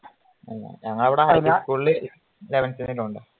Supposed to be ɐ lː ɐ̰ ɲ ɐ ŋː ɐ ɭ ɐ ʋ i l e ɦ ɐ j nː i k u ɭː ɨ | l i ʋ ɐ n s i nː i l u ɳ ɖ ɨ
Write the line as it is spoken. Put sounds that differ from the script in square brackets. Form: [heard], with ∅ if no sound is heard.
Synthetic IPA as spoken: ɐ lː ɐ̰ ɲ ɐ ŋː ɐ ɭ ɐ ʋ i [ɽ] e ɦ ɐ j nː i k u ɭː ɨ | l [e] ʋ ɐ n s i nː i l u ɳ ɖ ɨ